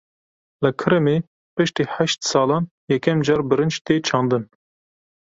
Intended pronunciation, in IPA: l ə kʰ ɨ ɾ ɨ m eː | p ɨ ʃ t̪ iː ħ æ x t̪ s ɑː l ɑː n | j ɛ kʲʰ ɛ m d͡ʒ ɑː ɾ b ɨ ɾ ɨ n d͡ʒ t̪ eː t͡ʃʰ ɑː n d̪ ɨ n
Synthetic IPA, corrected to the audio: l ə kʰ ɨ ɾ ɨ m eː | p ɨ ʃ t̪ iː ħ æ ʃ t̪ s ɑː l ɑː n | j ɛ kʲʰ ɛ m d͡ʒ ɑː ɾ b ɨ ɾ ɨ n d͡ʒ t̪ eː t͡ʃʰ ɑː n d̪ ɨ n